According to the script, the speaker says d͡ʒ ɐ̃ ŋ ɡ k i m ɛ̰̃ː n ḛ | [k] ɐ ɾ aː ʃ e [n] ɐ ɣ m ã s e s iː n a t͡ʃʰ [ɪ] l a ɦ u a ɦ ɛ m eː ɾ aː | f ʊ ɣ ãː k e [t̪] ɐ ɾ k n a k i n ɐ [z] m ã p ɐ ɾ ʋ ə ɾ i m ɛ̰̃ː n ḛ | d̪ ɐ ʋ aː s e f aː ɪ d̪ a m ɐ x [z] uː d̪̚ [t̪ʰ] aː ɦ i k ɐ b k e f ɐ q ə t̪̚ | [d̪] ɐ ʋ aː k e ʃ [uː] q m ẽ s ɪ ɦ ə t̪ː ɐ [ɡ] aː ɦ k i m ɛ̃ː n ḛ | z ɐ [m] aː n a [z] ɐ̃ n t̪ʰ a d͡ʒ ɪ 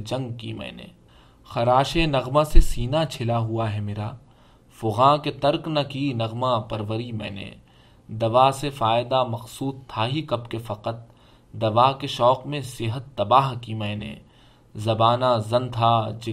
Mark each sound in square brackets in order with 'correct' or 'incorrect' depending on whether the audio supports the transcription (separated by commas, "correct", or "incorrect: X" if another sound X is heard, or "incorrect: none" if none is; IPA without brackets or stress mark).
incorrect: x, correct, correct, correct, incorrect: ɣ, incorrect: s, correct, correct, incorrect: ɔː, incorrect: b, incorrect: b, correct